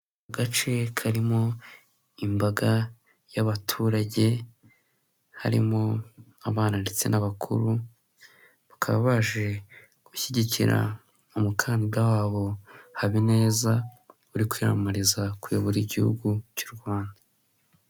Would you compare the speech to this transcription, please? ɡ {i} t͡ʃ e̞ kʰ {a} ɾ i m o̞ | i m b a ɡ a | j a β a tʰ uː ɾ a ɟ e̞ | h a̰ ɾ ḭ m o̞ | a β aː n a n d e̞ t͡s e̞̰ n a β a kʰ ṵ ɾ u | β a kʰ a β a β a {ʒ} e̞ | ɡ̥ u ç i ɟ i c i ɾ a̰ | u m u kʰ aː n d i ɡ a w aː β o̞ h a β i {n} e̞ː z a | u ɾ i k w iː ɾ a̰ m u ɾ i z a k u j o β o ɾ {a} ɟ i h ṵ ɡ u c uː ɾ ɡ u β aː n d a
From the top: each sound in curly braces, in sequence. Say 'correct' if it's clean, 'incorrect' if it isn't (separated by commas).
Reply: incorrect, correct, correct, correct, incorrect